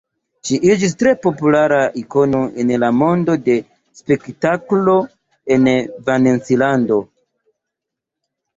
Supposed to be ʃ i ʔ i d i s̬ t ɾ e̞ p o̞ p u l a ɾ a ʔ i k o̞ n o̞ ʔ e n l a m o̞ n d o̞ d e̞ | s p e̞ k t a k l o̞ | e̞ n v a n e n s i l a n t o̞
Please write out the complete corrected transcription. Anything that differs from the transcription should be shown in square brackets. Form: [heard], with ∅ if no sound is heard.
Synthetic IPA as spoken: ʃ i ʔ i [d͡ʒ] i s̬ t ɾ e̞ p o̞ p u l a ɾ a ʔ i k o̞ n o̞ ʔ e n l a m o̞ n d o̞ d e̞ | s p e̞ k t a k l o̞ | e̞ n v a n e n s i l a n [d] o̞